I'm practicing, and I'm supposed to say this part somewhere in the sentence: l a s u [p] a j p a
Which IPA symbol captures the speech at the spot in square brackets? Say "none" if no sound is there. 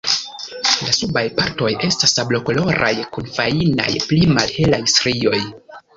b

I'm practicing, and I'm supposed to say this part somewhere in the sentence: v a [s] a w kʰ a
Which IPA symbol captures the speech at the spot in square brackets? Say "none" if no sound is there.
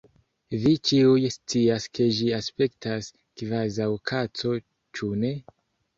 z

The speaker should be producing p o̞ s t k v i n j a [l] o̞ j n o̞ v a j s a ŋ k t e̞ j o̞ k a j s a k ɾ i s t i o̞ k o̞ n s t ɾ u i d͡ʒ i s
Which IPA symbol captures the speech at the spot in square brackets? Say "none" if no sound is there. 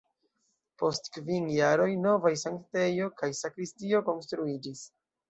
ɾ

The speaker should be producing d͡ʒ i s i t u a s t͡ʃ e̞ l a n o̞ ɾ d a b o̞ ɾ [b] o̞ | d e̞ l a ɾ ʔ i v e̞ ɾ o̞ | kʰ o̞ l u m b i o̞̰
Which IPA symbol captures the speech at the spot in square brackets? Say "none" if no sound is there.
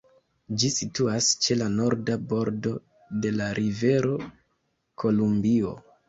d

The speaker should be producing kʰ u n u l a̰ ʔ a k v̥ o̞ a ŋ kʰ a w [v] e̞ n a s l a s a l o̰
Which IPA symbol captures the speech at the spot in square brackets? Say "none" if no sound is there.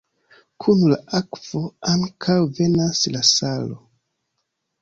v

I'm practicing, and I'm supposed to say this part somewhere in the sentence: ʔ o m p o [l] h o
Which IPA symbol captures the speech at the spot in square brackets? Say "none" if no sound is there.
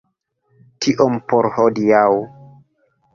ɾ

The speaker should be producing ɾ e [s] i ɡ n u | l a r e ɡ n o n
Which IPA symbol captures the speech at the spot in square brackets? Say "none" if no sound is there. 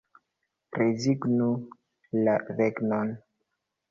z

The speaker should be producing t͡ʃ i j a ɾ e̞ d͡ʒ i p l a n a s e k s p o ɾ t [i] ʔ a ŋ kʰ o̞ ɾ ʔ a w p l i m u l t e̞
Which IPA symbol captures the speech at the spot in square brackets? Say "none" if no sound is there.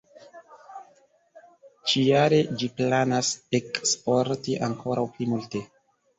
i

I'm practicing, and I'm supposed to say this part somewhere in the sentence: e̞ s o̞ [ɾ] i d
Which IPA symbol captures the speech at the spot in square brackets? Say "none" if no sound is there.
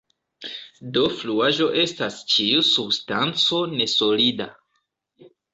l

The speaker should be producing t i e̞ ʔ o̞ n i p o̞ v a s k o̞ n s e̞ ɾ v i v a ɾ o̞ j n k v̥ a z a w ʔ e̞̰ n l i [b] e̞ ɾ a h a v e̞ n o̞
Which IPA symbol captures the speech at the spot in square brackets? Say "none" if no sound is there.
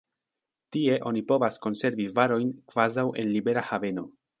b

